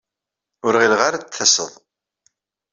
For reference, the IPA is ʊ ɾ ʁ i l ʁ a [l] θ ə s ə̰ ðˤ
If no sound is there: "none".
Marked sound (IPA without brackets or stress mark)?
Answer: ɾ